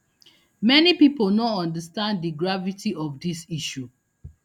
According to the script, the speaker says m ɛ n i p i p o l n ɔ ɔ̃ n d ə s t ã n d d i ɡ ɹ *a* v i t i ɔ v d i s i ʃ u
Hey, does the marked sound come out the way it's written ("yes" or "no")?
yes